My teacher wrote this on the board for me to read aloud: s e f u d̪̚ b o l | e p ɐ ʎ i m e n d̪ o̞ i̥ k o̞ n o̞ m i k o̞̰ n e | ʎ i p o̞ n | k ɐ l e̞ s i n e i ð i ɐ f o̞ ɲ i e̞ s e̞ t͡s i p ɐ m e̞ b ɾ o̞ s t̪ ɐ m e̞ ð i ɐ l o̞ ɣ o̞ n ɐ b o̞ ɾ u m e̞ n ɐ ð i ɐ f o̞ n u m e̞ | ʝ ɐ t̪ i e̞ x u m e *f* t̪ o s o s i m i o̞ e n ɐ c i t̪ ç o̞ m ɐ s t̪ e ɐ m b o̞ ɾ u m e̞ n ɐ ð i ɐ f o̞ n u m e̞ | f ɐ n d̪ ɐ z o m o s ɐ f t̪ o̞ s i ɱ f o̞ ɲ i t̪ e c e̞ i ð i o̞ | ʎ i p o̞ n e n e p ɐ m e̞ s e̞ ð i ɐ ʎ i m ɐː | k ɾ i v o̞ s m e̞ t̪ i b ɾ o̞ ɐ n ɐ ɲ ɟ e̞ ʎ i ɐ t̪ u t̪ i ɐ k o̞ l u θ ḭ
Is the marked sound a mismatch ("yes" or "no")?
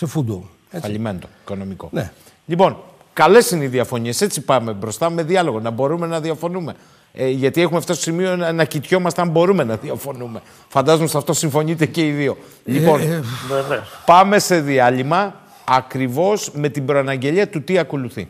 no